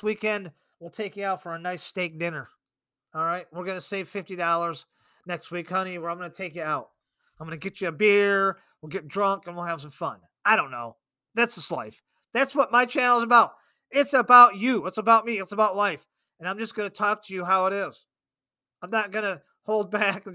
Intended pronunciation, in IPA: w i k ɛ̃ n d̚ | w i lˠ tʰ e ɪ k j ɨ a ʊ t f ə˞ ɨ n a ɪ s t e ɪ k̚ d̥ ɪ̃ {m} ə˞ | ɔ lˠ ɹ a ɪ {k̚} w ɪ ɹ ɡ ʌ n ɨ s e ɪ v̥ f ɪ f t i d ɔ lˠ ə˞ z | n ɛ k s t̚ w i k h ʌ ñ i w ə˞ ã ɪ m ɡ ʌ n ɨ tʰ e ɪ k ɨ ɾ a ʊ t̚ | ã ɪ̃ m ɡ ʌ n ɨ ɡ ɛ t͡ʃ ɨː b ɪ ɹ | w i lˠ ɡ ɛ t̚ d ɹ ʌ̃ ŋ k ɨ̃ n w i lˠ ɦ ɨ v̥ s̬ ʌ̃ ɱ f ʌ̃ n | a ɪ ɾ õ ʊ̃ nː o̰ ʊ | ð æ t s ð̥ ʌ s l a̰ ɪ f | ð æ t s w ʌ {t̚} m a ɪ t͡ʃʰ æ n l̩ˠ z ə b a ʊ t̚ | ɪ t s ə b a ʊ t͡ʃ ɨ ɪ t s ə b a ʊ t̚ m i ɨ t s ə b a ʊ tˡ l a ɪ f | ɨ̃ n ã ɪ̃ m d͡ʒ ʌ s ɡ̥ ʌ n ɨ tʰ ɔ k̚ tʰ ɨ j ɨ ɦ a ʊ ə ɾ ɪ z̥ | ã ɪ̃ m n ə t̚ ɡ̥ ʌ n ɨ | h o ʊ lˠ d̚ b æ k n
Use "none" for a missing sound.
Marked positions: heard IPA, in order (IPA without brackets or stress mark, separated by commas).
n, t̚, t̚